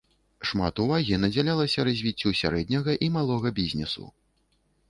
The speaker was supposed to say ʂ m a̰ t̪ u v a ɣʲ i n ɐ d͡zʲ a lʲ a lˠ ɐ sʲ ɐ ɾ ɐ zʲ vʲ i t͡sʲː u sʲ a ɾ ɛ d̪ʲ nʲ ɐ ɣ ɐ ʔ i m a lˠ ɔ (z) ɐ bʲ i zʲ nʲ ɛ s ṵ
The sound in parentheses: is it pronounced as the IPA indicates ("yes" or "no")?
no